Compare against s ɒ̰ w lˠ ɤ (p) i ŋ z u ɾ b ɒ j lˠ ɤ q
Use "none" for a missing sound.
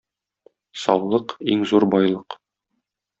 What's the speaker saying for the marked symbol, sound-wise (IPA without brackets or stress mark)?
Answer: q